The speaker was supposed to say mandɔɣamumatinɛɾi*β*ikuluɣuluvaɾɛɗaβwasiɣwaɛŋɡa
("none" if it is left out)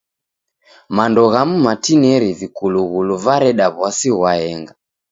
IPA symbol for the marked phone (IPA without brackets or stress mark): v